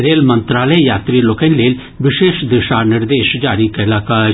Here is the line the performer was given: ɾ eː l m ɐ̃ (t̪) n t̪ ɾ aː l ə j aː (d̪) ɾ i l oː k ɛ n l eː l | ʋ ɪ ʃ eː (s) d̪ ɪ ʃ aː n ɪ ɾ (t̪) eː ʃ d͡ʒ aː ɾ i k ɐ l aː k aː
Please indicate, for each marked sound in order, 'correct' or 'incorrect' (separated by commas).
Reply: incorrect, incorrect, incorrect, incorrect